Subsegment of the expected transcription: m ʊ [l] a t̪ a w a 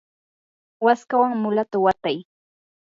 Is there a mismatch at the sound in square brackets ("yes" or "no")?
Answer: no